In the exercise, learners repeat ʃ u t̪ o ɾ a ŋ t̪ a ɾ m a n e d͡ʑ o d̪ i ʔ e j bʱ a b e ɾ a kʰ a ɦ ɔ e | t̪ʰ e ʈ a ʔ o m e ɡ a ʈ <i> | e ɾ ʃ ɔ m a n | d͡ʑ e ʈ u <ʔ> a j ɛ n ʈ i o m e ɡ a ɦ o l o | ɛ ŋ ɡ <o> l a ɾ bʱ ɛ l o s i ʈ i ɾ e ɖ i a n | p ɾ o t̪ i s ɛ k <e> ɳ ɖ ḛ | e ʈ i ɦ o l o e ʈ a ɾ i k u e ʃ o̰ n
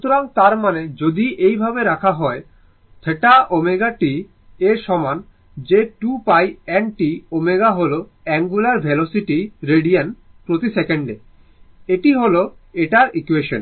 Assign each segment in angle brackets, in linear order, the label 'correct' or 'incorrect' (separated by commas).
correct, incorrect, incorrect, correct